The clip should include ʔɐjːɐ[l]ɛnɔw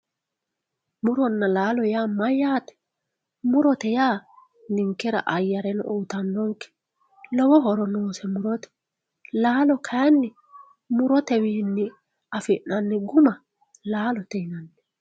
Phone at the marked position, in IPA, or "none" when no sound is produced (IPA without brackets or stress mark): ɾ